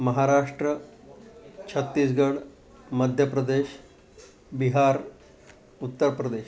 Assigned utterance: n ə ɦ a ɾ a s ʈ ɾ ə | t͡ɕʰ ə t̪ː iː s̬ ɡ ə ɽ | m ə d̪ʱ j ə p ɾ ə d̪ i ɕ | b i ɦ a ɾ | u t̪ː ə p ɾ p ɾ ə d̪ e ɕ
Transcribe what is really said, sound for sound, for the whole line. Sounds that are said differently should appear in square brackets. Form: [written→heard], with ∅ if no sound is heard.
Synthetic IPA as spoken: [n→m] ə ɦ a ɾ a [s→ʂ] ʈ ɾ ə | t͡ɕʰ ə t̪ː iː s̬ ɡ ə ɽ | m ə d̪ʱ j ə p ɾ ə d̪ [i→e] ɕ | b i ɦ a ɾ | u t̪ː ə [p→∅] ɾ p ɾ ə d̪ e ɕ